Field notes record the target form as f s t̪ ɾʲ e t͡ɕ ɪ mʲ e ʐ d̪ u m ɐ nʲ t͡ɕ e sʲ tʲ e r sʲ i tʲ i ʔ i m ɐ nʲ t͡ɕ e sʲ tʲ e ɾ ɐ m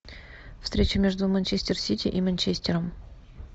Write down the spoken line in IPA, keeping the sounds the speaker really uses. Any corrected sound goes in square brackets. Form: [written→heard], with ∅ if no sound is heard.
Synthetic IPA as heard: f s t̪ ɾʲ e t͡ɕ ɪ mʲ e ʐ d̪ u m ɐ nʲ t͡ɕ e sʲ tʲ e r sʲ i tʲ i ʔ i m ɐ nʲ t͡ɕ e sʲ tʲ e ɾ [ɐ→ə] m